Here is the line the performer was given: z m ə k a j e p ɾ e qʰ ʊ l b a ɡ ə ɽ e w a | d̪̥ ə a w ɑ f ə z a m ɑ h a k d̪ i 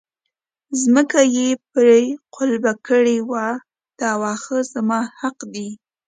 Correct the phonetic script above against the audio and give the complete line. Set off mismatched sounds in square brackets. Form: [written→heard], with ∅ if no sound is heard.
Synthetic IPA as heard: z m ə k a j e p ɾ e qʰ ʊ l b a [ɡ→k] ə ɽ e w a | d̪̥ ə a w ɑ [f→x] ə z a m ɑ h a [k→q] d̪ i